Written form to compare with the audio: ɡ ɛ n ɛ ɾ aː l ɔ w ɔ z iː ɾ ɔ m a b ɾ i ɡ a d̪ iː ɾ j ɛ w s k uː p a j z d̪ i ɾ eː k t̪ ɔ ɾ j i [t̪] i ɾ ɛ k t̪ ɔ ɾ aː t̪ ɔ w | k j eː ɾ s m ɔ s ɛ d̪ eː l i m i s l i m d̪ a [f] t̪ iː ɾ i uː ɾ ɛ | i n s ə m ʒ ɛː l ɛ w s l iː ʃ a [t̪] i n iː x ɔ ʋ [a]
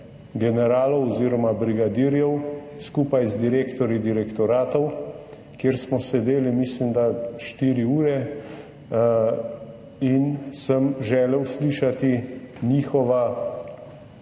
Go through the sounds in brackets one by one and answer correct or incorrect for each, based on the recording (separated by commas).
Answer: incorrect, incorrect, correct, correct